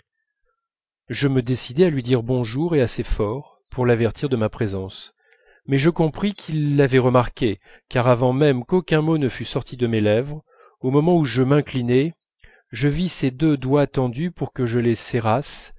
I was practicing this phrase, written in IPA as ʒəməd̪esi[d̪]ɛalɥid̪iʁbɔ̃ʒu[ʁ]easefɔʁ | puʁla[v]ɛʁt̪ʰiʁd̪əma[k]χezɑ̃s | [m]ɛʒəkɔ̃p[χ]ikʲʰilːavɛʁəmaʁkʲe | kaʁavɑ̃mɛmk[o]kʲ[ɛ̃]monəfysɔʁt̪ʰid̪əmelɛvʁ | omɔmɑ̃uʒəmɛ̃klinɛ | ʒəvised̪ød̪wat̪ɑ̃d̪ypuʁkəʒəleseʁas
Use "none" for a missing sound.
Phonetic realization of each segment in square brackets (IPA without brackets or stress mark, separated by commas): d̪, ʁ, v, p, m, χ, o, ɛ̃